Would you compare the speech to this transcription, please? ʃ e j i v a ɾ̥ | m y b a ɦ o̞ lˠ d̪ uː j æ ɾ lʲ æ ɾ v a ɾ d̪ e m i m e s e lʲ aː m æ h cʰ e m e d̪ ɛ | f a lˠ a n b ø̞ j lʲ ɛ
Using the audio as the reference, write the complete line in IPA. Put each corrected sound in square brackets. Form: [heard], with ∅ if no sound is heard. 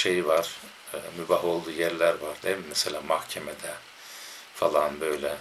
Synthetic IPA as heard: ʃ e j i v a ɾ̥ | m y b a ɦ o̞ lˠ d̪ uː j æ ɾ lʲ æ ɾ v a ɾ d̪ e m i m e s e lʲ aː m [a] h cʰ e m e d̪ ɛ | f a lˠ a n b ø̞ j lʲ ɛ

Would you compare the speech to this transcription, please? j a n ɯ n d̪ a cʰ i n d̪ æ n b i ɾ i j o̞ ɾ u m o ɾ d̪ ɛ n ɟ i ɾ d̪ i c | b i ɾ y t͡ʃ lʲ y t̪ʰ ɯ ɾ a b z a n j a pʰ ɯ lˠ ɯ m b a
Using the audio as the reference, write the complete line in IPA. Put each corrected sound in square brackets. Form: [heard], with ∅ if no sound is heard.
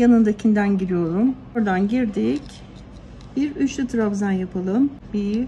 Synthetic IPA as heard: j a n ɯ n d̪ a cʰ i n d̪ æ n [ɟ] i ɾ i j o̞ ɾ u m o ɾ d̪ [a] n ɟ i ɾ d̪ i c | b i ɾ y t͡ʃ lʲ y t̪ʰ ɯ ɾ a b z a n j a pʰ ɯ lˠ ɯ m b [i]

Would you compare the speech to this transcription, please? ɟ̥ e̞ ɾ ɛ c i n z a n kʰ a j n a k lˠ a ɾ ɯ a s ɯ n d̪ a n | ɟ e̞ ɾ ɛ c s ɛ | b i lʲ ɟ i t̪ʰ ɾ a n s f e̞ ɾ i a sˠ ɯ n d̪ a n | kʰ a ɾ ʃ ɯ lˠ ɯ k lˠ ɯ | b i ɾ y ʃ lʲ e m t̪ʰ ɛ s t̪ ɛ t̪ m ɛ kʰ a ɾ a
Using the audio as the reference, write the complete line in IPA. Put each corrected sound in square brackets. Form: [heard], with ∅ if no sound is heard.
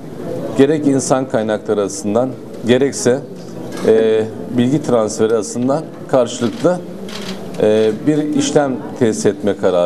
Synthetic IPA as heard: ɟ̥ e̞ ɾ ɛ c i n [s] a n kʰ a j n a k lˠ a ɾ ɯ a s ɯ n d̪ a n | ɟ e̞ ɾ ɛ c s ɛ | b i lʲ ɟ i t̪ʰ ɾ a n s f e̞ ɾ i a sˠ ɯ n d̪ a n | kʰ a ɾ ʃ ɯ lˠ ɯ k lˠ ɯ | b i ɾ [i] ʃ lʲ [æ] m t̪ʰ ɛ s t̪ ɛ t̪ m ɛ kʰ a ɾ a

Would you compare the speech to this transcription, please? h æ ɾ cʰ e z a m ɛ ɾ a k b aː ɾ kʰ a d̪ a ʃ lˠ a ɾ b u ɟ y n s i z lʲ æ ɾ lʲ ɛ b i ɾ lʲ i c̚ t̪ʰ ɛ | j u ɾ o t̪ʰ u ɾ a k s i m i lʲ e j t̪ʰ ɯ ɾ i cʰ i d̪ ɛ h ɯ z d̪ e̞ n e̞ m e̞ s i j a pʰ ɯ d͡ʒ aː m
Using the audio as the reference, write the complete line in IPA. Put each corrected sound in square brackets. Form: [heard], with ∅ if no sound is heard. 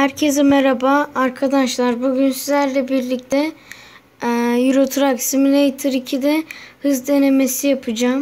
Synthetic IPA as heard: h æ ɾ cʰ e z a m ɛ ɾ a [∅] b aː ɾ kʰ a d̪ a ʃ lˠ a ɾ b u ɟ y n s i z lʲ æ ɾ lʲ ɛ b i ɾ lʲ i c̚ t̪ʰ ɛ | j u ɾ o t̪ʰ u ɾ a k s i m i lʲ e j t̪ʰ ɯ ɾ i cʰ i d̪ ɛ h ɯ z d̪ e̞ n e̞ m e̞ s i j a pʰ ɯ d͡ʒ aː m

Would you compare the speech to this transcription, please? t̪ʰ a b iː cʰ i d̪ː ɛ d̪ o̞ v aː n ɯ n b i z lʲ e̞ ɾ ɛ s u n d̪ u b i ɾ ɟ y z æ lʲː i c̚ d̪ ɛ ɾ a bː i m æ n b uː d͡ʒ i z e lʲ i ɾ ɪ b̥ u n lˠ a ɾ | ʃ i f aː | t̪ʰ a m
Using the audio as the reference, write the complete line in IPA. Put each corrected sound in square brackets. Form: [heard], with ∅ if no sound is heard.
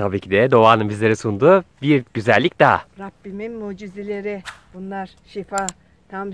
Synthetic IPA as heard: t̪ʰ a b iː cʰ i [d̪] ɛ d̪ o̞ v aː n ɯ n b i z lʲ e̞ ɾ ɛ s u n d̪ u b i ɾ ɟ y z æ lʲː i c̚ d̪ [a] ɾ a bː i m [i] n [m] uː d͡ʒ i z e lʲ [e] ɾ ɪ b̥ u n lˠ a ɾ | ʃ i f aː | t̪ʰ a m

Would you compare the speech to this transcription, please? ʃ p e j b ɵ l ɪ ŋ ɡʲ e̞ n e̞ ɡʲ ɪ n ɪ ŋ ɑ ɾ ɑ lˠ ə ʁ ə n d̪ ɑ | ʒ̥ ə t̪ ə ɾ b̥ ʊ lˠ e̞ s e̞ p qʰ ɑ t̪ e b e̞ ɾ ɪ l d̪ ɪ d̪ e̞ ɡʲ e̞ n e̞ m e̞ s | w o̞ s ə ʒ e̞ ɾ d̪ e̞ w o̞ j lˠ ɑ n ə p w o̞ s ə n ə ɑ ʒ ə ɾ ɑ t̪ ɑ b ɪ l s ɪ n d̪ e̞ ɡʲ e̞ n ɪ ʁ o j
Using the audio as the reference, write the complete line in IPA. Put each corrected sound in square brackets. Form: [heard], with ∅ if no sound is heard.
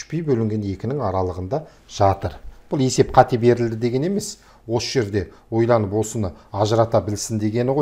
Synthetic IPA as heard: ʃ p e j b ɵ l ɪ ŋ ɡʲ e̞ n e̞ [kʲ] ɪ n ɪ ŋ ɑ ɾ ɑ lˠ ə ʁ ə n d̪ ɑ | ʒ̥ [ɑ] t̪ ə ɾ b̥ ʊ lˠ e̞ s e̞ p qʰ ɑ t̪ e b e̞ ɾ ɪ l d̪ ɪ d̪ e̞ ɡʲ e̞ n e̞ m e̞ s | w o̞ s ə ʒ e̞ ɾ d̪ e̞ w o̞ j lˠ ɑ n ə p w o̞ s ə n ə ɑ ʒ ə ɾ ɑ t̪ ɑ b ɪ l s ɪ n d̪ e̞ ɡʲ e̞ n ɪ ʁ o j

